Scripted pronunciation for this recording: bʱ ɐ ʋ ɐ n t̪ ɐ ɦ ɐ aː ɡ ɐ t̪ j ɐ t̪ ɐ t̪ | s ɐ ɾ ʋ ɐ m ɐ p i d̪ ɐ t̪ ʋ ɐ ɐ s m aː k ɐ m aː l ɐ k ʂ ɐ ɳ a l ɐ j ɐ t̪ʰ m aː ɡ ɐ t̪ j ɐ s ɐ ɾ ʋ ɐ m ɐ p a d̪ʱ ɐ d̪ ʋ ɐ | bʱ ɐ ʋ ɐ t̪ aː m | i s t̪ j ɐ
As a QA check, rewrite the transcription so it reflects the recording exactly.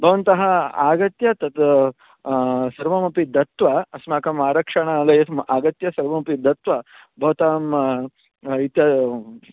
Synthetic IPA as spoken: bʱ ɐ ʋ ɐ n t̪ ɐ ɦ ɐ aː ɡ ɐ t̪ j ɐ t̪ ɐ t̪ | s ɐ ɾ ʋ ɐ m ɐ p i d̪ ɐ t̪ ʋ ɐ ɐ s m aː k ɐ m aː ɾ ɐ k ʂ ɐ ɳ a l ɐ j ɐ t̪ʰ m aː ɡ ɐ t̪ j ɐ s ɐ ɾ ʋ ɐ m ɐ p i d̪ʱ ɐ t̪ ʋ ɐ | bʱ ɐ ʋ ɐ t̪ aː m | i t̪ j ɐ